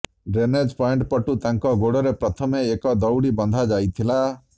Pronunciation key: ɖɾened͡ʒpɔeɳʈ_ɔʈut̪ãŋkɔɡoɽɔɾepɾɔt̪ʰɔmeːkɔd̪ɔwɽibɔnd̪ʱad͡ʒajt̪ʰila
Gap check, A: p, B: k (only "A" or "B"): A